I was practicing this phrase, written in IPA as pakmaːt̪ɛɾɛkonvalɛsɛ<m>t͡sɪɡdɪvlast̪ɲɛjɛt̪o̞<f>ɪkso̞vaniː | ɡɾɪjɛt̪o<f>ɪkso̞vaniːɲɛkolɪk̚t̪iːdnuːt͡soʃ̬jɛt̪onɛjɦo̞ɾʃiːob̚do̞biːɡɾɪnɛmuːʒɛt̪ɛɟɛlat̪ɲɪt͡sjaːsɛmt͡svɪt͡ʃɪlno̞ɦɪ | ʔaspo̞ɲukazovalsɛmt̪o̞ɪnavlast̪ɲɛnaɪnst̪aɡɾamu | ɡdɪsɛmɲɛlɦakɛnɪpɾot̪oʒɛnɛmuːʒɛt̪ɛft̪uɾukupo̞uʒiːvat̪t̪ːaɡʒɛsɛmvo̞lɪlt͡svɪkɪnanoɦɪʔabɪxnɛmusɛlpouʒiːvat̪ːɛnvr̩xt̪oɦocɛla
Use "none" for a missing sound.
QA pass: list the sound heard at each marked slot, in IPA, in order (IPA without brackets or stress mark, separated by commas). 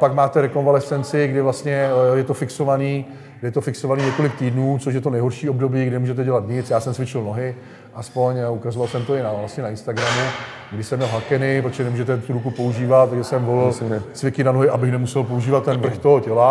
n, f, f